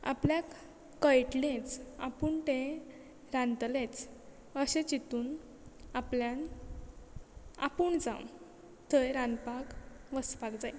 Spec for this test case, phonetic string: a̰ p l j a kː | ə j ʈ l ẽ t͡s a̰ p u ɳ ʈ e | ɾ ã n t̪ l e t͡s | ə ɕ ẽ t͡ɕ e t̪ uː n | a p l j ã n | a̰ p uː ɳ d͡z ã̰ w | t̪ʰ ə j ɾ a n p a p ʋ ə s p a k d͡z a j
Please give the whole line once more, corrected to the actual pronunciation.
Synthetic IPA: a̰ p l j a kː | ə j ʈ l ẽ t͡s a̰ p u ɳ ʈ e | ɾ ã n t̪ l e t͡s | ə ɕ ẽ t͡ɕ i t̪ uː n | a p l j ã n | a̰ p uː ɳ d͡z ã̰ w | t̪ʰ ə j ɾ a n p a k ʋ ə s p a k d͡z a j